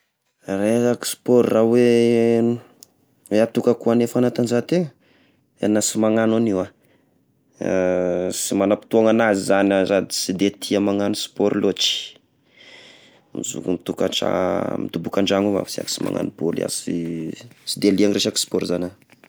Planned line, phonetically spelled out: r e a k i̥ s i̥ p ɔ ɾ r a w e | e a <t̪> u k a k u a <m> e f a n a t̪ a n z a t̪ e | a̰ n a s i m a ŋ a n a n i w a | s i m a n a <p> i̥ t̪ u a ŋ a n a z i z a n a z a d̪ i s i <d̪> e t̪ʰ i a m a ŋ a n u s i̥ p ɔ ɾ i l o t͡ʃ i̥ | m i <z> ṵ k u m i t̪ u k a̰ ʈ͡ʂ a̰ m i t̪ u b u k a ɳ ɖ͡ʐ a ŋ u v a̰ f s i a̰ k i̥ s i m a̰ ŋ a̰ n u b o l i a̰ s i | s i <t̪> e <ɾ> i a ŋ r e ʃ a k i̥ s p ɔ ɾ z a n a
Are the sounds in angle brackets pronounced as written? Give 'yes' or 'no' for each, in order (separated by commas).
yes, no, yes, yes, yes, no, no